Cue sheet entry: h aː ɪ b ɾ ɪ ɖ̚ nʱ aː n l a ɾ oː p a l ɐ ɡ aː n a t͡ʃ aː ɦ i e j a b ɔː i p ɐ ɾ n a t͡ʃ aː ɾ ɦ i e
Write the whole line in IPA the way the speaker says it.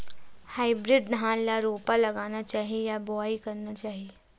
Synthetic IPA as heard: h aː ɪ b ɾ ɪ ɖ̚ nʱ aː n l a ɾ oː p a l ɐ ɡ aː n a t͡ʃ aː ɦ i e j a b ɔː i k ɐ ɾ n a t͡ʃ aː ɦ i e